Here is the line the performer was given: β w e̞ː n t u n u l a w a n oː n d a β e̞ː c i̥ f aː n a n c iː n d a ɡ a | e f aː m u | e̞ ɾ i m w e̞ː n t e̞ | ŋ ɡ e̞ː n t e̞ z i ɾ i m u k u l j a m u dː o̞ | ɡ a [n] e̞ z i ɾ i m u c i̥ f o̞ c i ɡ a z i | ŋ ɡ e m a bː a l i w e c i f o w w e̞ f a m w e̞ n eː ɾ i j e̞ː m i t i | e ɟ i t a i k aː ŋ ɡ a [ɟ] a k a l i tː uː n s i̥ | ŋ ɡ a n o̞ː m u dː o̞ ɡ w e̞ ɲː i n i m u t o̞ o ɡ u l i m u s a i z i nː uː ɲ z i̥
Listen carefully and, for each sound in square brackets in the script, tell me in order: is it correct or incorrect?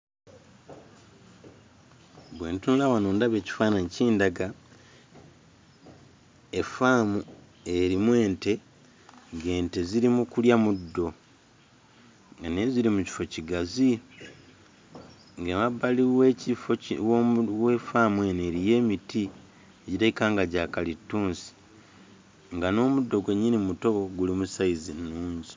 correct, correct

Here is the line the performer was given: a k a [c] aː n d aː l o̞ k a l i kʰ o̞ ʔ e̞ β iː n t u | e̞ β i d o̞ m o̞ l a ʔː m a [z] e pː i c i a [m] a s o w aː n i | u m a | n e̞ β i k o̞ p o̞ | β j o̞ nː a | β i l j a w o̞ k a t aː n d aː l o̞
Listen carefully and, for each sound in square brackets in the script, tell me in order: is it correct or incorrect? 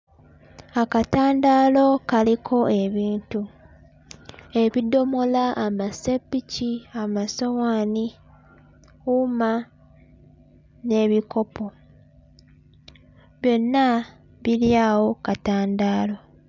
incorrect, incorrect, correct

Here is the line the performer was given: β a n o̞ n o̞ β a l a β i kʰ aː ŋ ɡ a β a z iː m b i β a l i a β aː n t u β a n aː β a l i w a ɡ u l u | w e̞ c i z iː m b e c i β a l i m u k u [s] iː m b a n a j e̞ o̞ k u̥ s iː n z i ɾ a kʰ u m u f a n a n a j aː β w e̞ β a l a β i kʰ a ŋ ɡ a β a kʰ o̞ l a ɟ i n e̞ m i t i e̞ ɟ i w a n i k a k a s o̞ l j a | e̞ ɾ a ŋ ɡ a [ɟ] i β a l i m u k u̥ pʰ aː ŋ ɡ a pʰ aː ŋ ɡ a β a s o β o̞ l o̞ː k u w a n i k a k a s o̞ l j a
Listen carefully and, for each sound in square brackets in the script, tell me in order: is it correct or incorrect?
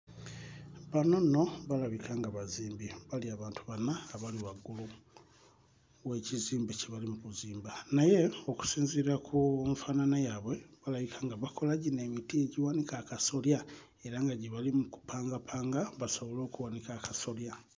incorrect, correct

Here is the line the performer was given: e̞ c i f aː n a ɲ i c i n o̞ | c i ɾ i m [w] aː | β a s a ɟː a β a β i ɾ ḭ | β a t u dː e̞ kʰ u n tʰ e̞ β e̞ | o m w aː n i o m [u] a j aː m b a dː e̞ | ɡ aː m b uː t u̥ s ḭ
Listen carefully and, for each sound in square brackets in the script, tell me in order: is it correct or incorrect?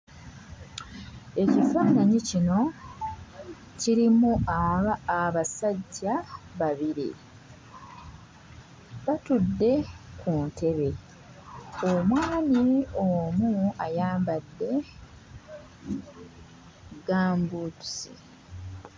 incorrect, correct

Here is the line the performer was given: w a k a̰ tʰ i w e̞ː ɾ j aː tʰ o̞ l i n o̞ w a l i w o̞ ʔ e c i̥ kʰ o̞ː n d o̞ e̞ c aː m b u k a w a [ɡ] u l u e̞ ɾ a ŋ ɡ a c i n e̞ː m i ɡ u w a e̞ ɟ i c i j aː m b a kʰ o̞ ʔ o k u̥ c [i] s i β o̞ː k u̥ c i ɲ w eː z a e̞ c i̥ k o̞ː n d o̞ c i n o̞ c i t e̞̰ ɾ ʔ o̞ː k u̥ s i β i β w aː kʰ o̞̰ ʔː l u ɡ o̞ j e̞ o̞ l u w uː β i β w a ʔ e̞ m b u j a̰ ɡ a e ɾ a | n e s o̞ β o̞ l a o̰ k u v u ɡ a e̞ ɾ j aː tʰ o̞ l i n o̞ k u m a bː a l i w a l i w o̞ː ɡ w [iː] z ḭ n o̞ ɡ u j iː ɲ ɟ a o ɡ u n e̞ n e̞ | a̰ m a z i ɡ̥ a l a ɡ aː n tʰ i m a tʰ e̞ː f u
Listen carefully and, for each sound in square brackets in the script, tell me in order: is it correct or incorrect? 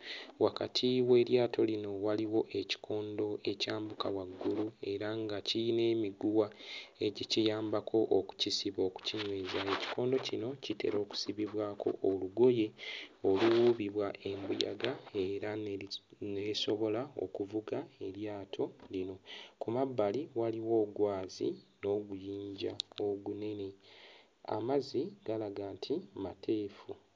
incorrect, correct, incorrect

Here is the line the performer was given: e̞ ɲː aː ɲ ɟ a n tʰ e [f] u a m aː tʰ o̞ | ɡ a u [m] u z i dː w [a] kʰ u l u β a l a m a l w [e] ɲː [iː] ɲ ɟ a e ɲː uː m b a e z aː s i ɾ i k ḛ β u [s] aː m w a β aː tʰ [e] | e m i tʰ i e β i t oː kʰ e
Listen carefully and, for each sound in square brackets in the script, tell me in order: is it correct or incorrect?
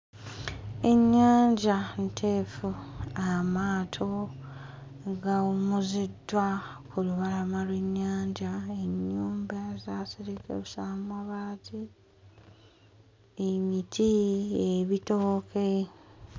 correct, correct, correct, correct, incorrect, correct, incorrect

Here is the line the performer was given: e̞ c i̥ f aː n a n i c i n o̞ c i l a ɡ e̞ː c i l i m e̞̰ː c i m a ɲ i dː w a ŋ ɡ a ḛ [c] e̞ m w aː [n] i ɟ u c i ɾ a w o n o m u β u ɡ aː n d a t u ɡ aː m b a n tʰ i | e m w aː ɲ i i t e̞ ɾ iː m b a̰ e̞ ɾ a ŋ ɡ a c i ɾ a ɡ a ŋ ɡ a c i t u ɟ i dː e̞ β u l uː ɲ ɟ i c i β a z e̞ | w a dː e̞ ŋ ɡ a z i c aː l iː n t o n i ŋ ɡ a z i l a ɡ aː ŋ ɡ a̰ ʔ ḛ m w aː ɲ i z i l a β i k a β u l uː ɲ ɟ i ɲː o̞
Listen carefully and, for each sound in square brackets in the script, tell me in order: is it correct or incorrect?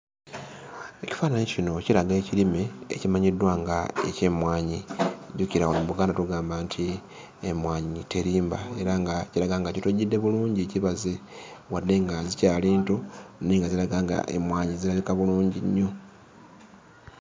correct, incorrect

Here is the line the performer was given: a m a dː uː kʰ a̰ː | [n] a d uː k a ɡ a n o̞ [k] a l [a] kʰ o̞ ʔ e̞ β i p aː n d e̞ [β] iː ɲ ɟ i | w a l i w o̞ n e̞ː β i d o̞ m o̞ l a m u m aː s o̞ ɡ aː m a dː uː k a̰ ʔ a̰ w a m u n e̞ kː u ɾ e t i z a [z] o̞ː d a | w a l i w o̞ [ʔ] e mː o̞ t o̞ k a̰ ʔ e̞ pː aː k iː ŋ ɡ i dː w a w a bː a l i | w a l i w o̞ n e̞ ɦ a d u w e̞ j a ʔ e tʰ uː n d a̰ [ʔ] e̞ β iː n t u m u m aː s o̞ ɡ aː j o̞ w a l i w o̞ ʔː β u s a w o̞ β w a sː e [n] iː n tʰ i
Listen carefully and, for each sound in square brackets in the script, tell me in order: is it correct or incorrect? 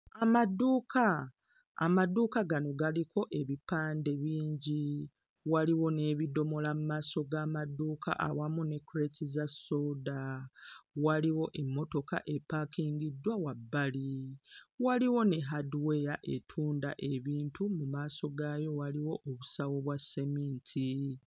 incorrect, incorrect, incorrect, correct, incorrect, correct, correct, incorrect

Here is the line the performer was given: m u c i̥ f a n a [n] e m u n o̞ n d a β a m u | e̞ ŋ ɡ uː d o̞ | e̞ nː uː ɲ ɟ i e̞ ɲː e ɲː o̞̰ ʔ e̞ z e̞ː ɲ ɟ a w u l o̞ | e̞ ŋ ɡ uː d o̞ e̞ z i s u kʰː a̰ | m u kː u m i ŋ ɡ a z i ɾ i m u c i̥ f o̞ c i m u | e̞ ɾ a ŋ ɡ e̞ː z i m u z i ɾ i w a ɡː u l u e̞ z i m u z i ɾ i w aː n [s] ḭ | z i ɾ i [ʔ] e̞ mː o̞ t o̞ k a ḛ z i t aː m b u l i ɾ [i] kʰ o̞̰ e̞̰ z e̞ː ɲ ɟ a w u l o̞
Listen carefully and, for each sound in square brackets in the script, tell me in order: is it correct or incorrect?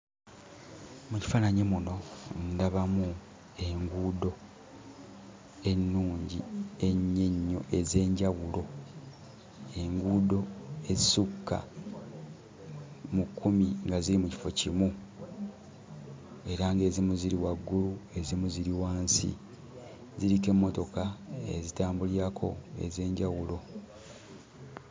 incorrect, correct, incorrect, incorrect

